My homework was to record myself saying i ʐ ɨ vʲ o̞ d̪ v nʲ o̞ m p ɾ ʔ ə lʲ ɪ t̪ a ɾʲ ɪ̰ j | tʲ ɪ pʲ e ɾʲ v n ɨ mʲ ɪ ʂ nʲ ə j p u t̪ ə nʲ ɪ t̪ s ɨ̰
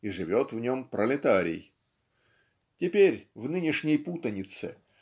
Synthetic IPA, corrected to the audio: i ʐ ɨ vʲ o̞ t̪ v nʲ o̞ m p ɾ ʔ ə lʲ ɪ t̪ a ɾʲ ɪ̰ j | tʲ ɪ pʲ e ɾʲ v n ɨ nʲ ɪ ʂ nʲ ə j p u t̪ ə nʲ ɪ t̪ s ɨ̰

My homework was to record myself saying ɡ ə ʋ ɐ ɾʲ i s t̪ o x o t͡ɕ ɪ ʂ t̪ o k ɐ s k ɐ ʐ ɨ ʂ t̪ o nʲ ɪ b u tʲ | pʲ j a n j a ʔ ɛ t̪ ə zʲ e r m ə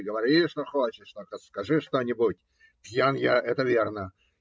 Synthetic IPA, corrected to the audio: ɡ ə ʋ ɐ ɾʲ i ʂ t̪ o x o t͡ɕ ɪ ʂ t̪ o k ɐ s k ɐ ʐ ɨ ʂ t̪ o nʲ ɪ b u tʲ | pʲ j a n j a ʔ ɛ t̪ ə vʲ e r n ə

